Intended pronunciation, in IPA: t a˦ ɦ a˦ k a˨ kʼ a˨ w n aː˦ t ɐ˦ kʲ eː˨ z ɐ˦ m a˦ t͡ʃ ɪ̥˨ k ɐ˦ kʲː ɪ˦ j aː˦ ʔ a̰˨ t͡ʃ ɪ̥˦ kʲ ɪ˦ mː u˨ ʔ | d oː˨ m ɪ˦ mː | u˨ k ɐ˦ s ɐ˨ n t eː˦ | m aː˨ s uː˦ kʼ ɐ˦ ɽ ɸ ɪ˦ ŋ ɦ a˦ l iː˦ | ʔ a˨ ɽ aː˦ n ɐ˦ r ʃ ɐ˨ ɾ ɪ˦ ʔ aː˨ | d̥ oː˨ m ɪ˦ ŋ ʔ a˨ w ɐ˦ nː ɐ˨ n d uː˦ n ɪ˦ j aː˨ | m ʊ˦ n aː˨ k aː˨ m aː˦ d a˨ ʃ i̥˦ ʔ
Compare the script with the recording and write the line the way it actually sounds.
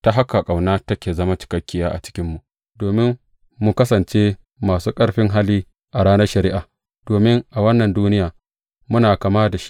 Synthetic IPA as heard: t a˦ ɦ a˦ k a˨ kʼ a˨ w n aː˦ t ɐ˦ kʲ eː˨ z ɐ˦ m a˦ t͡ʃ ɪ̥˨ k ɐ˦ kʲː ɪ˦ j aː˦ ʔ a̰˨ t͡ʃ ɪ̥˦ kʲ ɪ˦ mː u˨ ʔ | d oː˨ m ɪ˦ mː | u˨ k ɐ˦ s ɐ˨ n t͡ʃ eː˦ | m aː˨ s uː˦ kʼ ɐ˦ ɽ ɸ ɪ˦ ŋ ɦ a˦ l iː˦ | ʔ a˨ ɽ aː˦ n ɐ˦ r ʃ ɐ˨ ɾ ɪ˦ ʔ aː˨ | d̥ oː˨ m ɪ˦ ŋ ʔ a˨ w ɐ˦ nː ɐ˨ n d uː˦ n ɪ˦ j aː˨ | m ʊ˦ n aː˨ k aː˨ m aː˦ d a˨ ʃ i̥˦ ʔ